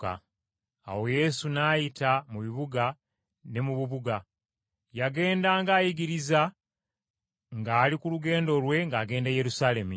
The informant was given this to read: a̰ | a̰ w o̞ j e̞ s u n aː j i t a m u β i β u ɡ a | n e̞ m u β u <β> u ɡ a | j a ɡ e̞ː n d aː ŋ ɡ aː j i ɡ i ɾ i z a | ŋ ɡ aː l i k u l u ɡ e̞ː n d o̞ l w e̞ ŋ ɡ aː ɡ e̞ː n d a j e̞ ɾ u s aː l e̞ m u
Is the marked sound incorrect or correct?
correct